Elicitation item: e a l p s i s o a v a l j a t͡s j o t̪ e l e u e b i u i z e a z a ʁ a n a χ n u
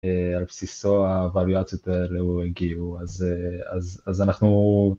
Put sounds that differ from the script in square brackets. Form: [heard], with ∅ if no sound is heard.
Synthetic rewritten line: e a l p s i s o a v a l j a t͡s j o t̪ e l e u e [ɡ] i u [a] z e a z a [z] a n a χ n u